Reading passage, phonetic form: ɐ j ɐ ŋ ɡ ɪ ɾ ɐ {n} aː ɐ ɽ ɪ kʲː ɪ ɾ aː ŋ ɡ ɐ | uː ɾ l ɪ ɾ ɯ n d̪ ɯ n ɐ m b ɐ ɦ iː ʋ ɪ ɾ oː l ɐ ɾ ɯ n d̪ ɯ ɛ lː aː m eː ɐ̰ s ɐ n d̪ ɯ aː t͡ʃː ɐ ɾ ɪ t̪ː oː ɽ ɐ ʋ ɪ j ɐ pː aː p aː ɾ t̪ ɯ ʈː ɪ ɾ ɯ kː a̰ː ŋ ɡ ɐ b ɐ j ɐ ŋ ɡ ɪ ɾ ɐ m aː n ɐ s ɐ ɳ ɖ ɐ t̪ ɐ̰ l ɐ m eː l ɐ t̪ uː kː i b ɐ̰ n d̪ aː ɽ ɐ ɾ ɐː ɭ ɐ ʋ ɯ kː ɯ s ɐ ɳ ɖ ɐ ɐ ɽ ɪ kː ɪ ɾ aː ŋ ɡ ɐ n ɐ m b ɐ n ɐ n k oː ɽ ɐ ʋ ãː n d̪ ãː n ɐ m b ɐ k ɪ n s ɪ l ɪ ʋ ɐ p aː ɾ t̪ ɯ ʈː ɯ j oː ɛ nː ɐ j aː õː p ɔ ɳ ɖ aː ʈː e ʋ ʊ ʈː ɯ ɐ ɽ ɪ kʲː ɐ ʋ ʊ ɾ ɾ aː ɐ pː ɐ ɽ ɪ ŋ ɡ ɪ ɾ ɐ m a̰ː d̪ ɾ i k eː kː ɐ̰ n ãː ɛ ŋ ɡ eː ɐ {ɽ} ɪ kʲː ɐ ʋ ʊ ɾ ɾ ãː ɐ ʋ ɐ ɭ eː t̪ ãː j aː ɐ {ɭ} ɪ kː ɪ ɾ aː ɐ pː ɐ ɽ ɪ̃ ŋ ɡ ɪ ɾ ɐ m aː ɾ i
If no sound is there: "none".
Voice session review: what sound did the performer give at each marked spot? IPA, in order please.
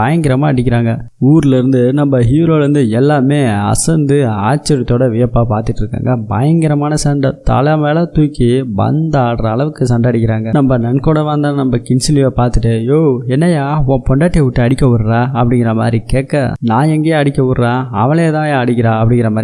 m, ɽ, ɽ

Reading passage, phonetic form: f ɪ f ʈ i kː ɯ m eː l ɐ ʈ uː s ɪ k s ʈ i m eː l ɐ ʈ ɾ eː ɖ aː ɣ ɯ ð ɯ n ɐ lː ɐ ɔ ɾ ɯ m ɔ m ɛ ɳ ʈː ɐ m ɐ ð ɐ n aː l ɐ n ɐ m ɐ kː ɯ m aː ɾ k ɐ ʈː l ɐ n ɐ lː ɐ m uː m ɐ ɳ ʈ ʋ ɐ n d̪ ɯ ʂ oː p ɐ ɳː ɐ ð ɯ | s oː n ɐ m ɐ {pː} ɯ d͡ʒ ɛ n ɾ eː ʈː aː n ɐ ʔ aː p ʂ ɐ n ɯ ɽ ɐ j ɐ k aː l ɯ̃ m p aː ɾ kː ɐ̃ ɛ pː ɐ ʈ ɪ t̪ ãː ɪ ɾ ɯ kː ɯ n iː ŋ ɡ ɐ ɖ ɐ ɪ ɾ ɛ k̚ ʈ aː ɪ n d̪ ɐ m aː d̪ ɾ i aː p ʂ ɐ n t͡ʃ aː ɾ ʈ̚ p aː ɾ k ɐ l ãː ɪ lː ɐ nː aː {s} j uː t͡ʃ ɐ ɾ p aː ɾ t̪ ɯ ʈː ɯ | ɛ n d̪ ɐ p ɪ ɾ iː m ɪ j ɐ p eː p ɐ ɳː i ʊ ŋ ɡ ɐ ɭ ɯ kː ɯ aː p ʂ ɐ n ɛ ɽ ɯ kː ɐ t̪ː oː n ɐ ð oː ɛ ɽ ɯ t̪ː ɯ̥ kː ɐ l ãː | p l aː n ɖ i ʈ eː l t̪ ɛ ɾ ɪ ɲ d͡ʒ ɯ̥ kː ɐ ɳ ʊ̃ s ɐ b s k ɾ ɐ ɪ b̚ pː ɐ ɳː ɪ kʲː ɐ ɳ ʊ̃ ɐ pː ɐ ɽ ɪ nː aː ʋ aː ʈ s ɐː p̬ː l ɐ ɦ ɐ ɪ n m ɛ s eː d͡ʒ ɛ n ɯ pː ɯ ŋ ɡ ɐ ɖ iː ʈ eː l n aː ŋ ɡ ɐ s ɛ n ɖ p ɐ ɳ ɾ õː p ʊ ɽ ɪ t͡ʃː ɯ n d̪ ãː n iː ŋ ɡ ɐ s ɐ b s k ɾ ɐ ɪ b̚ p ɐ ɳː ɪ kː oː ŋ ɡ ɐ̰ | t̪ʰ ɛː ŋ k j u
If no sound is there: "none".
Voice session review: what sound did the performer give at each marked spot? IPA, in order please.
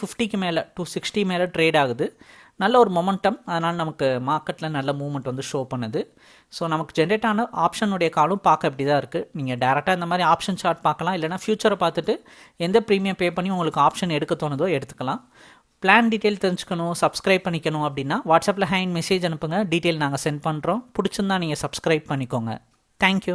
kː, f

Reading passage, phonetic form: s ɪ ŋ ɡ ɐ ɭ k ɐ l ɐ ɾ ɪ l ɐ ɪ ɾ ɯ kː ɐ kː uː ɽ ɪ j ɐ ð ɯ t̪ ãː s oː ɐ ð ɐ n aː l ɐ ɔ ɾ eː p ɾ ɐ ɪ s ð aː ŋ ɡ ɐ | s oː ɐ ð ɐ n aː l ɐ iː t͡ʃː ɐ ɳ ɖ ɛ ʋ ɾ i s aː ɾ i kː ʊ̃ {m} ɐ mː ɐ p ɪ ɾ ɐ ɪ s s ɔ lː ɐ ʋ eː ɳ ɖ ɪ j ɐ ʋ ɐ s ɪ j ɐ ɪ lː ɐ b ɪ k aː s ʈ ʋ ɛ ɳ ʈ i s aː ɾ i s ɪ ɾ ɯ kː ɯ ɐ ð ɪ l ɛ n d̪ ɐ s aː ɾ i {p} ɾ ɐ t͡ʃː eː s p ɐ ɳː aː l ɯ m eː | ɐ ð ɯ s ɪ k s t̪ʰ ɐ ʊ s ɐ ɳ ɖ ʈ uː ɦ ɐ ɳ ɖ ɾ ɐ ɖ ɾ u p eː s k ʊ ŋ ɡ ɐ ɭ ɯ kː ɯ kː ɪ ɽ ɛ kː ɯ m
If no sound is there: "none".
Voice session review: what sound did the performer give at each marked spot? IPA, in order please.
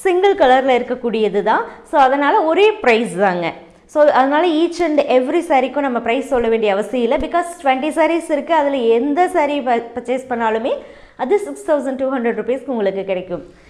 n, p

